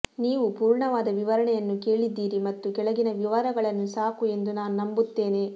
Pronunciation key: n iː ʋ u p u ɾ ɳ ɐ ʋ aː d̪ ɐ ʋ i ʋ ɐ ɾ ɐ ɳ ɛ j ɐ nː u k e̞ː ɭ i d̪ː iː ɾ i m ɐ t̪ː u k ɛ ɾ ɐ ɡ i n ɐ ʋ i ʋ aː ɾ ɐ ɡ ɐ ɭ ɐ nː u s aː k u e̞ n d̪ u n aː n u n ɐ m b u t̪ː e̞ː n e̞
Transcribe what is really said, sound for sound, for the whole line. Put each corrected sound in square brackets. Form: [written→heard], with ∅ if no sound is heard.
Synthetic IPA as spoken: n iː ʋ u p [u→uː] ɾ ɳ ɐ ʋ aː d̪ ɐ ʋ i ʋ ɐ ɾ ɐ ɳ ɛ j ɐ nː u k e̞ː ɭ i d̪ː iː ɾ i m ɐ t̪ː u k ɛ [ɾ→ɭ] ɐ ɡ i n ɐ ʋ i ʋ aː ɾ ɐ ɡ ɐ ɭ ɐ nː u s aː k u e̞ n d̪ u n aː n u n ɐ m b u t̪ː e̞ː n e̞